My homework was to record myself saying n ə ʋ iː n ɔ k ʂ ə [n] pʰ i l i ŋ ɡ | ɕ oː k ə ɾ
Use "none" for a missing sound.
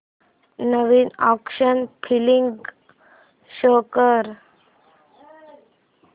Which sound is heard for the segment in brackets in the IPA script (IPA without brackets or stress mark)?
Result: n